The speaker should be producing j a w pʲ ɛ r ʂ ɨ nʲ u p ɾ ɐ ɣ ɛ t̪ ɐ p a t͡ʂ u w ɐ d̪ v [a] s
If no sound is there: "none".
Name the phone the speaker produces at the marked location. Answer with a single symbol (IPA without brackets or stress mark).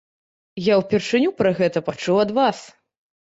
a